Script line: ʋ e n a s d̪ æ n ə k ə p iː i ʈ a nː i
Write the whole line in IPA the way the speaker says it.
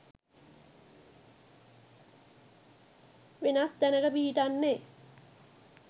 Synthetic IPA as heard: ʋ e n a s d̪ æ n ə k ə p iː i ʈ a nː e